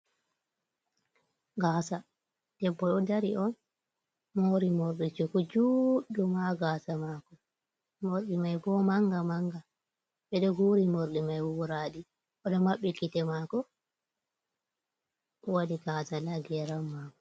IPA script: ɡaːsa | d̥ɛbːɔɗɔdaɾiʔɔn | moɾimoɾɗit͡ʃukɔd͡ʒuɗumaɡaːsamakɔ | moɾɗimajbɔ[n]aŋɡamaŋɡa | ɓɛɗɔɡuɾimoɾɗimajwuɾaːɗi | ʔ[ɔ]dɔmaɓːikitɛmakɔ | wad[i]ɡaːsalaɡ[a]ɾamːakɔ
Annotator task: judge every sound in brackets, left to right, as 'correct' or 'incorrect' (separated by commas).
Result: incorrect, correct, correct, incorrect